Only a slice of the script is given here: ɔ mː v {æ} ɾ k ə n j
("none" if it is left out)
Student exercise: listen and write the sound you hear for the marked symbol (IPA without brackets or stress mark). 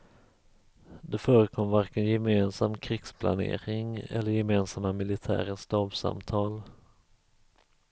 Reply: a